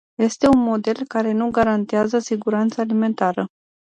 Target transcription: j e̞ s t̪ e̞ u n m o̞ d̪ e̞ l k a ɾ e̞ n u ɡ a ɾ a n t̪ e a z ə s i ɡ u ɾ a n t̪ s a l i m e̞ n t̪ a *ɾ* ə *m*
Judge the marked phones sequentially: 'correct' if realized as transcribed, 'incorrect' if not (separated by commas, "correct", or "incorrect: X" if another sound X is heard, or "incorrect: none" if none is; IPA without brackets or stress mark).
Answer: correct, incorrect: none